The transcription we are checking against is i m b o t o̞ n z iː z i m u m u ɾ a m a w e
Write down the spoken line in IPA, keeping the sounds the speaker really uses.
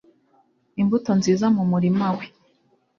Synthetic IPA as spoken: i m b u t o̞ n z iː z a m u m u ɾ i m a w e